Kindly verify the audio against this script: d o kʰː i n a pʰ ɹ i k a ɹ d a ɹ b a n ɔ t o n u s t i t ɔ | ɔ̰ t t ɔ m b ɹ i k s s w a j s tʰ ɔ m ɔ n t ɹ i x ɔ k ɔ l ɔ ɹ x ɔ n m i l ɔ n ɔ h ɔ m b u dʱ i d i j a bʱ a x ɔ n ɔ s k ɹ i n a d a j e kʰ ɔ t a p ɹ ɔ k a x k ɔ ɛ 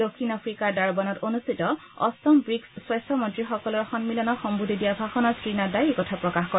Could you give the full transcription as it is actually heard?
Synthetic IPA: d o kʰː i n a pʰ ɹ i k a ɹ d a ɹ b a n ɔ t o n u s t i t ɔ | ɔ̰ s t ɔ m b ɹ i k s s w a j s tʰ ɔ m ɔ n t ɹ i x ɔ k ɔ l ɔ ɹ x ɔ n m i l ɔ n ɔ x ɔ m b u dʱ i d i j a bʱ a x ɔ n ɔ s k ɹ i n a d a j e k ɔ tʰ a p ɹ ɔ k a x k ɔ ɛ

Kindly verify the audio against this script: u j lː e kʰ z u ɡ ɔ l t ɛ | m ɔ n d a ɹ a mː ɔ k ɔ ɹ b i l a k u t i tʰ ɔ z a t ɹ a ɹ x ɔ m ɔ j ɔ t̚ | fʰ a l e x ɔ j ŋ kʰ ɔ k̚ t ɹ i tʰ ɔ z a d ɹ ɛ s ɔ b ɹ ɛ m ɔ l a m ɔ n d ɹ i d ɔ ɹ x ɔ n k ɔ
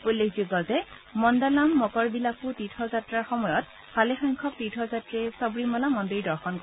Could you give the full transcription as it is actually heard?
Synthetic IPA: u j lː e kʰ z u ɡ ɔ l t ɛ | m ɔ n d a l a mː ɔ k ɔ ɹ b i l a k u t i tʰ ɔ z a t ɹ a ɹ x ɔ m ɔ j ɔ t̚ | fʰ a l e x ɔ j ŋ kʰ ɔ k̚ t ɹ i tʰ ɔ z a t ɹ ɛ s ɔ b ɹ i m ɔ l a m ɔ n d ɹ i d ɔ ɹ x ɔ n k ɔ

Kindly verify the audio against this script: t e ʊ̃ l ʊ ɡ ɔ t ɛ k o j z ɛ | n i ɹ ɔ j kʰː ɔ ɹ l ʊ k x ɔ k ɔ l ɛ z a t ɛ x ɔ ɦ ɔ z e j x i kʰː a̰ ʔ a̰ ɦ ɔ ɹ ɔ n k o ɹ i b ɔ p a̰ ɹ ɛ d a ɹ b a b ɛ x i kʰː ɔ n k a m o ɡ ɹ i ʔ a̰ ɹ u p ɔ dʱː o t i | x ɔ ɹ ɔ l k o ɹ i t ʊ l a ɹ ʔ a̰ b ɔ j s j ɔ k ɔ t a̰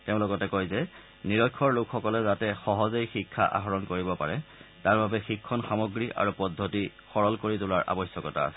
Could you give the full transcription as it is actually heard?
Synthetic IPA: t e ʊ̃ l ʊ k ɔ t ɛ k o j z ɛ | n i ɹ ɔ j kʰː ɔ ɹ l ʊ k x ɔ k ɔ l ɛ z a t ɛ x ɔ ɦ ɔ z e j x i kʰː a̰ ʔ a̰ ɦ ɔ ɹ ɔ n k o ɹ i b ɔ p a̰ ɹ ɛ t a ɹ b a b ɛ x i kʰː ɔ n x a m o ɡ ɹ i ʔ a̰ ɹ u p ɔ dʱː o t i | x ɔ ɹ ɔ l k o ɹ i t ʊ l a ɹ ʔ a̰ b ɔ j s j ɔ k ɔ t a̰

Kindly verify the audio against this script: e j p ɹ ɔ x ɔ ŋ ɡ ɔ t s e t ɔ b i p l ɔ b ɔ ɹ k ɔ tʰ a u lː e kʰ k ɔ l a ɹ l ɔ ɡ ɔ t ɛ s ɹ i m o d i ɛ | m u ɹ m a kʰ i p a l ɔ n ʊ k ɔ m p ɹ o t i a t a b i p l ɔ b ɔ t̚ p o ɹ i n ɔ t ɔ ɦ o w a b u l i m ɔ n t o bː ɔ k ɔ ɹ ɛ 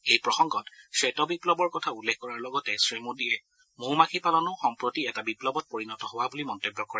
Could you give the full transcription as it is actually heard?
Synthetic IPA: e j p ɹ ɔ x ɔ ŋ ɡ ɔ t s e t ɔ b i p l ɔ b ɔ ɹ k ɔ tʰ a u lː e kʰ k ɔ ɹ a ɹ l ɔ ɡ ɔ t ɛ s ɹ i m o d i ɛ | m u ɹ m a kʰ i p a l ɔ n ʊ x ɔ m p ɹ o t i ɛ t a b i p l ɔ b ɔ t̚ p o ɹ i n ɔ t ɔ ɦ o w a b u l i m ɔ n t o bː ɔ k ɔ ɹ ɛ

